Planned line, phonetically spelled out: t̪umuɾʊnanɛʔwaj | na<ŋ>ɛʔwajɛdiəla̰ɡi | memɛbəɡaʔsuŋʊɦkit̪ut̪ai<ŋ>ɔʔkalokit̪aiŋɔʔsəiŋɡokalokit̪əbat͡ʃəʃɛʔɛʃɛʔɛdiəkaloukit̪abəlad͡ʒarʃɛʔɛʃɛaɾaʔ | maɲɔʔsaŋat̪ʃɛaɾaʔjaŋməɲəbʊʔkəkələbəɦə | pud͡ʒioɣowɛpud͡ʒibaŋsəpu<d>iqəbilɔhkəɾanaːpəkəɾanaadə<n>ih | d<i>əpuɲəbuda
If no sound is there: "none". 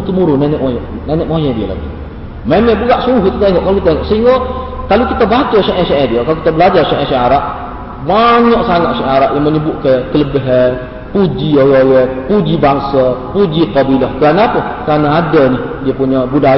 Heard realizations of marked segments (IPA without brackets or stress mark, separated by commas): n, ŋ, d͡ʒ, n, i